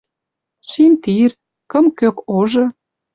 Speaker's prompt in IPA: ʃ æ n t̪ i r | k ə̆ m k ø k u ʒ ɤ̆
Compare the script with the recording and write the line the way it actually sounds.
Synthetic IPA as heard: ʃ i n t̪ i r | k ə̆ m k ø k o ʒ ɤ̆